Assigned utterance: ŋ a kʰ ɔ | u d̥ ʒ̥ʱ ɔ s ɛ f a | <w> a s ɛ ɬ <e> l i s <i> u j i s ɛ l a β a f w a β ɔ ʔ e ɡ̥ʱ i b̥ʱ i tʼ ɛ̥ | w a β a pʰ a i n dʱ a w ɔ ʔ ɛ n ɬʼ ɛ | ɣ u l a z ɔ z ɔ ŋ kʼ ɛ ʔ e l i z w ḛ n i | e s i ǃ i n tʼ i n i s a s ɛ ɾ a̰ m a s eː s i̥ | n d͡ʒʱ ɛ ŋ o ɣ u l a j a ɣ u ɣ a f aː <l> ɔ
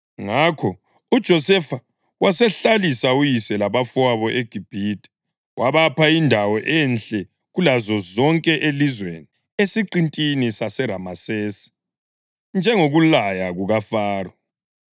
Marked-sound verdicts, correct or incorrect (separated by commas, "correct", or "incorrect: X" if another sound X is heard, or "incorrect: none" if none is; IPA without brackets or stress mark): correct, incorrect: a, incorrect: a, incorrect: r